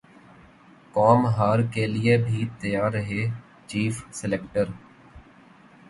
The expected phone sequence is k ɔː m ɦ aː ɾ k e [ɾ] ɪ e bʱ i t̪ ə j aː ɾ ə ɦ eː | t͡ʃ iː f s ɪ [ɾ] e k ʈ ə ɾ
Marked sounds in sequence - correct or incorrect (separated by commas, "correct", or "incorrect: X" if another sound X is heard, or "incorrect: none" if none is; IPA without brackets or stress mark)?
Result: incorrect: l, incorrect: l